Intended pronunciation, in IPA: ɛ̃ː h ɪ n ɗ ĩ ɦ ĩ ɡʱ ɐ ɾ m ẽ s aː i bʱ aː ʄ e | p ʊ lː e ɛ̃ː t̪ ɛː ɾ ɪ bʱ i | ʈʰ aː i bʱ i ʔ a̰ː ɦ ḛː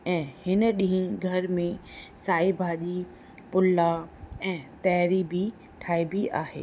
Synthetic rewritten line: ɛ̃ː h ɪ n ɗ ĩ ɦ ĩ ɡʱ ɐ ɾ m ẽ s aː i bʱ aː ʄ i | p ʊ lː a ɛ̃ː t̪ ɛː ɾ i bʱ i | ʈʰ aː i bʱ i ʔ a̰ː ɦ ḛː

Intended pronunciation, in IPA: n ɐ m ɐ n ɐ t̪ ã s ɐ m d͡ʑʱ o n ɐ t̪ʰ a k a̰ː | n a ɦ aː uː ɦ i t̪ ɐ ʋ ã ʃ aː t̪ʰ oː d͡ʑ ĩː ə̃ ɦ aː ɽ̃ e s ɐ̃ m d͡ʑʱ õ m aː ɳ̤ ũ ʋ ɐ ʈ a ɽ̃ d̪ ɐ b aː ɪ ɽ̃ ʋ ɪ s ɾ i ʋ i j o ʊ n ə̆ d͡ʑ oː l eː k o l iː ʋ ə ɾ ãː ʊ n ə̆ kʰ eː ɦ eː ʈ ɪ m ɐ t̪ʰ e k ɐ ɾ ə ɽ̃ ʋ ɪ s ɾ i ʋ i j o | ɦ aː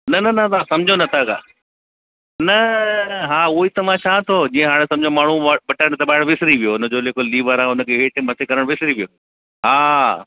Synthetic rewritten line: n ɐ n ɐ n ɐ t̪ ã s ɐ m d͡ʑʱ o n ɐ t̪ʰ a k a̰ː | n ɐ ɦ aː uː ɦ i t̪ ɐ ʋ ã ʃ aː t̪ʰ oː d͡ʑ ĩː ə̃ ɦ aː ɽ̃ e s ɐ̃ m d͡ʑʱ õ m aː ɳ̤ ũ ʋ ɐ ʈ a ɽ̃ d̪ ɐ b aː ɪ ɽ̃ ʋ ɪ s ɾ i ʋ i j o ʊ n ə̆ d͡ʑ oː l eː k o l iː ʋ ə ɾ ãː ʊ n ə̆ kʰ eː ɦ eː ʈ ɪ m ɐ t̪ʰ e k ɐ ɾ ə ɽ̃ ʋ ɪ s ɾ i ʋ i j o | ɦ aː

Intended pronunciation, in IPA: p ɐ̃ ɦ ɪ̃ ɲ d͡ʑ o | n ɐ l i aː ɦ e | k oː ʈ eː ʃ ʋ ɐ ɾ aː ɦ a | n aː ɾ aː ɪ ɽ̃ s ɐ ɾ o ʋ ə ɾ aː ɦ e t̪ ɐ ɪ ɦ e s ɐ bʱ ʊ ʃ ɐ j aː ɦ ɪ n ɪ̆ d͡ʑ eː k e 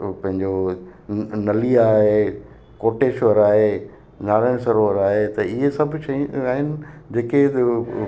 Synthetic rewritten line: p ɐ̃ ɦ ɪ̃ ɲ d͡ʑ o | n ɐ l i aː ɦ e | k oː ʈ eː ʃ ʋ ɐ ɾ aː ɦ e | n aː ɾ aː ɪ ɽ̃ s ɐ ɾ o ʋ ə ɾ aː ɦ e t̪ ɐ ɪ ɦ e s ɐ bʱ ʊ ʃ ɐ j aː ɦ ɪ n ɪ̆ d͡ʑ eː k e

